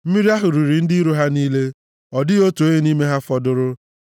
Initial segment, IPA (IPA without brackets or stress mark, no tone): m̩